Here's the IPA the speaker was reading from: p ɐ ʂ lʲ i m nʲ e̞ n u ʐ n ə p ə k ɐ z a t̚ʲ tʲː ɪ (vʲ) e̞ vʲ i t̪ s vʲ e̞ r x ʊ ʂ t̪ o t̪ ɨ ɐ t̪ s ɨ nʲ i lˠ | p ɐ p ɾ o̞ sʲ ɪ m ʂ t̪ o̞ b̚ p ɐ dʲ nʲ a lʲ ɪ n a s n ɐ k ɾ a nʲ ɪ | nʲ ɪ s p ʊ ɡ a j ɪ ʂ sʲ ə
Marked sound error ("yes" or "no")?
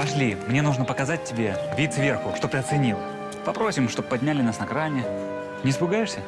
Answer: yes